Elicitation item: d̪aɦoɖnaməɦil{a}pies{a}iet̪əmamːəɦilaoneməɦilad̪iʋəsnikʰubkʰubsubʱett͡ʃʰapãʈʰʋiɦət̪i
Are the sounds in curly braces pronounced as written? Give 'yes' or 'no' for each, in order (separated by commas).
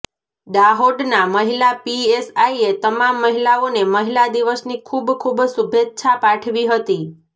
yes, yes